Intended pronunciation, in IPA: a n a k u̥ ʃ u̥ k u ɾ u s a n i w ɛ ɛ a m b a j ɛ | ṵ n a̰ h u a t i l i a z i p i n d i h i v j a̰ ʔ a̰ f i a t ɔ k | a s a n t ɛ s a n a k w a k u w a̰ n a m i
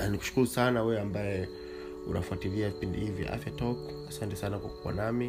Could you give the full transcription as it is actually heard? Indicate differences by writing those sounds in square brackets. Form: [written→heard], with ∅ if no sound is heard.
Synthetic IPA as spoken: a n [a→i] k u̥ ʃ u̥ k u ɾ u s a n [i→a] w ɛ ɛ a m b a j ɛ | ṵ n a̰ [h→f] u a t i l i a [z→v] i p i n d i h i v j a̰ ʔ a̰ f [i→j] a t ɔ k | a s a n t ɛ s a n a k w a k u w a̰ n a m i